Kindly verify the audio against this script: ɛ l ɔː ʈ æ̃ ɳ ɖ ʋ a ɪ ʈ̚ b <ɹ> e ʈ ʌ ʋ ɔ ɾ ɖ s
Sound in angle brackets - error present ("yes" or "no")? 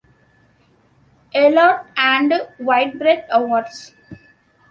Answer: yes